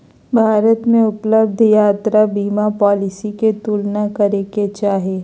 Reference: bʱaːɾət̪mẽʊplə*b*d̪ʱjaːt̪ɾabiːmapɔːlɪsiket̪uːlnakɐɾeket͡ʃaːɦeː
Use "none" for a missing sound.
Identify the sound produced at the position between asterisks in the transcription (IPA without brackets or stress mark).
b